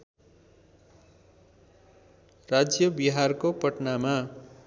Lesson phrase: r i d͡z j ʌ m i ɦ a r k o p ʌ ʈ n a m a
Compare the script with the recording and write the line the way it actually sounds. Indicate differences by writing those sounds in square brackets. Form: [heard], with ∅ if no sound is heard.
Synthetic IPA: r [a] d͡z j ʌ [b] i ɦ a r k o p ʌ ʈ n a m a